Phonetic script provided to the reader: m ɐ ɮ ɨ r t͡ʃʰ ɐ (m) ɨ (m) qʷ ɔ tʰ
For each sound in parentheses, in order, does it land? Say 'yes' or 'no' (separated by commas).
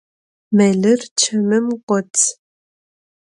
yes, yes